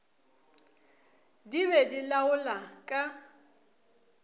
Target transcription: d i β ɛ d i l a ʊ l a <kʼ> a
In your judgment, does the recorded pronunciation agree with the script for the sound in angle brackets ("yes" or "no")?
yes